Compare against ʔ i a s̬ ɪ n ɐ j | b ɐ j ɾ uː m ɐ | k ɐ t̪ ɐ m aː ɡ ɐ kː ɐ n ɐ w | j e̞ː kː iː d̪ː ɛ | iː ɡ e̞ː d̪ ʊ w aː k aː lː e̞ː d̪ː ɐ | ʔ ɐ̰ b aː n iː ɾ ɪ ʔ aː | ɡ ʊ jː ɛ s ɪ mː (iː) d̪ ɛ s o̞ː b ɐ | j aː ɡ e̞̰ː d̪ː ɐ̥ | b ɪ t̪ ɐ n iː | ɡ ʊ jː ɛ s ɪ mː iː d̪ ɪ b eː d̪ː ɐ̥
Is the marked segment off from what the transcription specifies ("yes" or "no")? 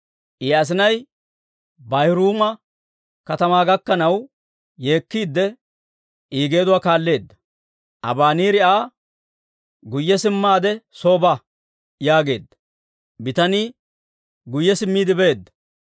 yes